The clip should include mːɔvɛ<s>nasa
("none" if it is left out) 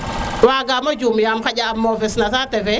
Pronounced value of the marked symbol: s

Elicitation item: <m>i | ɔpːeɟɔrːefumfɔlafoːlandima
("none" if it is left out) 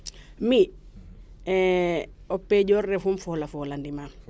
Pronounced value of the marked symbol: m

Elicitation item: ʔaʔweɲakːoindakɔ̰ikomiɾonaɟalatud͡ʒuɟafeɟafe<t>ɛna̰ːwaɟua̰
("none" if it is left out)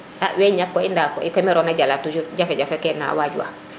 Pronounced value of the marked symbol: k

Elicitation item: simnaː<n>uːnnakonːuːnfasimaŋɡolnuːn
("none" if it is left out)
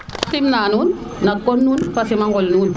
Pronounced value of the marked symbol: n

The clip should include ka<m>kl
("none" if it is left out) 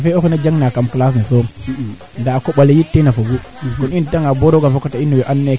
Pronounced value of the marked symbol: m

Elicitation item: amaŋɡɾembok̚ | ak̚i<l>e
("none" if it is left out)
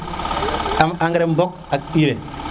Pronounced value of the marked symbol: ɾ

